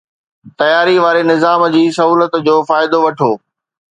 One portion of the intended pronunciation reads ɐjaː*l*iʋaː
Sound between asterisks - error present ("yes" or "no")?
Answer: yes